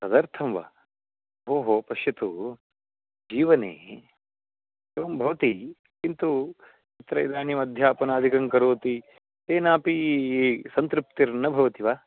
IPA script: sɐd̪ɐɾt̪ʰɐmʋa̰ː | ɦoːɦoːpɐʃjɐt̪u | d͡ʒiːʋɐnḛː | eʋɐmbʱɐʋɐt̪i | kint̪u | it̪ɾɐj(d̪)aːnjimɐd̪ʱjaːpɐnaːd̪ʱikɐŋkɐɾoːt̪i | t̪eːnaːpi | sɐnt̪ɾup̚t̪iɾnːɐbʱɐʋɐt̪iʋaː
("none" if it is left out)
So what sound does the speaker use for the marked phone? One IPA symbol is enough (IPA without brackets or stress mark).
d̪